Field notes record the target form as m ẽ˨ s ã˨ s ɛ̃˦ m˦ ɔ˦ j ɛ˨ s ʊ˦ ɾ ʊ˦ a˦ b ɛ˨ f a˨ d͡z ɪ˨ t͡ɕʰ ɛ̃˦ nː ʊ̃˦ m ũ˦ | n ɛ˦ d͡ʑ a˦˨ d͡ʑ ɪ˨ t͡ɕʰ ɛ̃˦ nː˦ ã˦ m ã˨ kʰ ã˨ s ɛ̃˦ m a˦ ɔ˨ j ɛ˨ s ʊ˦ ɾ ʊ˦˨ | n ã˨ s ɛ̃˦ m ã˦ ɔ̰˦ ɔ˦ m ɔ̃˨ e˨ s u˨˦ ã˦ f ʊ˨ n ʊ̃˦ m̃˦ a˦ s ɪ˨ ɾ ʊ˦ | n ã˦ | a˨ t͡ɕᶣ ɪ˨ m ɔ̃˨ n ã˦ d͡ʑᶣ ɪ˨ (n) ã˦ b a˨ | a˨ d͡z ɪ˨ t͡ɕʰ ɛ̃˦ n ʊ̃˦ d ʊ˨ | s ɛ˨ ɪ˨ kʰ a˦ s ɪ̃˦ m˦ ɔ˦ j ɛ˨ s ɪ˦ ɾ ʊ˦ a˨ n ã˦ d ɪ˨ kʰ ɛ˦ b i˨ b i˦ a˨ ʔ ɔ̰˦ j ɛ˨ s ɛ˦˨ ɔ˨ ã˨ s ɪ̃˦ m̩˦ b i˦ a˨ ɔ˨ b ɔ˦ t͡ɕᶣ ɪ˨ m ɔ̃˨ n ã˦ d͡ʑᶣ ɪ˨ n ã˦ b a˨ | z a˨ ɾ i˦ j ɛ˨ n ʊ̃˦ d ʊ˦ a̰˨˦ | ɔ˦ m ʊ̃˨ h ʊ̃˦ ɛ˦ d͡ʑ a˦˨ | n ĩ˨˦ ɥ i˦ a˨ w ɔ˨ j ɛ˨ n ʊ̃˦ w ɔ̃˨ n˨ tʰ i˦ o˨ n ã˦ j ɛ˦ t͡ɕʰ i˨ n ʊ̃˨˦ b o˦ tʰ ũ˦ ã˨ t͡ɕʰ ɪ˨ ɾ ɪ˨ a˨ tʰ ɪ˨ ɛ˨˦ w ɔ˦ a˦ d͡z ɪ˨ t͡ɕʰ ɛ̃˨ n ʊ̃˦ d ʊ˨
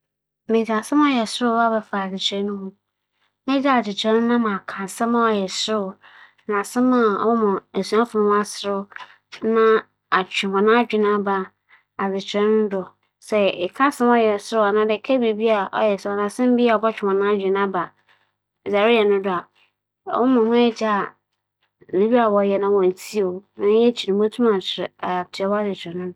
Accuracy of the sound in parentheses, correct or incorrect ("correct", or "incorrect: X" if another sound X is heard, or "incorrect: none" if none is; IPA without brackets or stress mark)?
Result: correct